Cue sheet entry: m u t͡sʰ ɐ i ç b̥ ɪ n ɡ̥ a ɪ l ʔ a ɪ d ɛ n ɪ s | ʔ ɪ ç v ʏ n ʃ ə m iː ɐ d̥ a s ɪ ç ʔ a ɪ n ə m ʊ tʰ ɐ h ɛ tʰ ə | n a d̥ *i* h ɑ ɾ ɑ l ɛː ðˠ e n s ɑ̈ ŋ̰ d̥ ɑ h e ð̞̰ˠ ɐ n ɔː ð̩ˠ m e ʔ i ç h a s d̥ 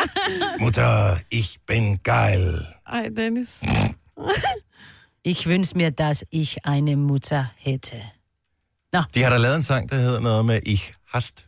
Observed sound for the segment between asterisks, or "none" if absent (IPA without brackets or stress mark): i